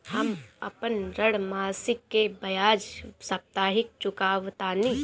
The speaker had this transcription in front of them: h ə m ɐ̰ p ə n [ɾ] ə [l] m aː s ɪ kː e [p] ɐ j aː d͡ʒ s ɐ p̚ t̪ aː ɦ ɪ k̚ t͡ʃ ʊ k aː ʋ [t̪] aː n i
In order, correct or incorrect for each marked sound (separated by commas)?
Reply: correct, incorrect, incorrect, correct